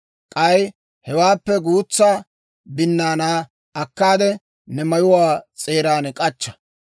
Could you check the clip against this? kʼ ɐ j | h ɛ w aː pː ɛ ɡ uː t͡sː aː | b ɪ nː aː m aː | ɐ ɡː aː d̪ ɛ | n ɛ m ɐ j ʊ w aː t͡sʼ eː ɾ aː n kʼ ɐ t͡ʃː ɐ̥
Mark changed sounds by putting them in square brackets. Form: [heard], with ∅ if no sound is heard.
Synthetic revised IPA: kʼ ɐ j | h ɛ w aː pː ɛ ɡ uː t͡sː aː | b ɪ nː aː [n] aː | ɐ [kː] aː d̪ ɛ | n ɛ m ɐ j ʊ w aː t͡sʼ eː ɾ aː n kʼ ɐ t͡ʃː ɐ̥